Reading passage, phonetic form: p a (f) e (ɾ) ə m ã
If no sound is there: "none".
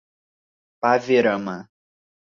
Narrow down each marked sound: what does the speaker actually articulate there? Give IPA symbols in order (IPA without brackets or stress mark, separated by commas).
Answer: v, ɾ